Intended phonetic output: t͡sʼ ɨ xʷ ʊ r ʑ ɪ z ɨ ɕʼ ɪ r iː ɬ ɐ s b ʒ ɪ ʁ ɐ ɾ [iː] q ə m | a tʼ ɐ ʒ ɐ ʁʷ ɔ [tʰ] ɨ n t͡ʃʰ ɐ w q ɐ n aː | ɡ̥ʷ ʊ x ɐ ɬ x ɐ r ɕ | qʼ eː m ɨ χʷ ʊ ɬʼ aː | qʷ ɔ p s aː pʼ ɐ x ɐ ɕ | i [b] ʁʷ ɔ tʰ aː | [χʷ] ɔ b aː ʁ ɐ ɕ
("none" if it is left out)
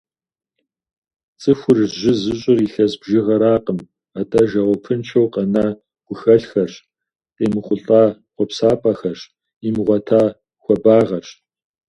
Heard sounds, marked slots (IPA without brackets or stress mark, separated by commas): aː, pʰ, m, xʷ